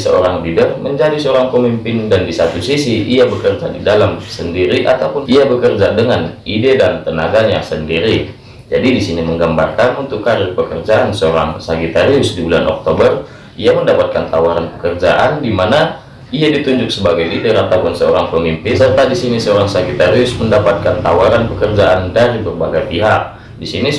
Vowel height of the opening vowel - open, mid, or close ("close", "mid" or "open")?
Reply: mid